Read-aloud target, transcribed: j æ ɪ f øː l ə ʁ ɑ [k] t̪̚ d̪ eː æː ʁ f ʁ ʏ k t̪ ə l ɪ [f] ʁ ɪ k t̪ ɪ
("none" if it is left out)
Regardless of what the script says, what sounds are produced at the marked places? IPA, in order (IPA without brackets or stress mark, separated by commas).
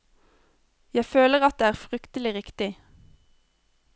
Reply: none, none